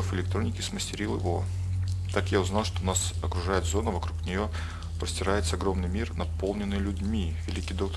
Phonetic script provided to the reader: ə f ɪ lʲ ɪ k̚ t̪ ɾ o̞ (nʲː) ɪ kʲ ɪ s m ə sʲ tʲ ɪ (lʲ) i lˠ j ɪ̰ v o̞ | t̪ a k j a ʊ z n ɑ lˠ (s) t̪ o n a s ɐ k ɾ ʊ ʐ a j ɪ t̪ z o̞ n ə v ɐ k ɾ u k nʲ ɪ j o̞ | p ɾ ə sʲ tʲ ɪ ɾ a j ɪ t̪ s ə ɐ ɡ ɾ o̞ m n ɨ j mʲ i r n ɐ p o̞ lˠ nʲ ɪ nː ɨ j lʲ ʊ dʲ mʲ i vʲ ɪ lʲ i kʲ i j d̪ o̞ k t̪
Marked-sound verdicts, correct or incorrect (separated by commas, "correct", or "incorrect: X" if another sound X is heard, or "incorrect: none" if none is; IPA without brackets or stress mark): incorrect: nʲ, incorrect: ɾʲ, incorrect: ʂ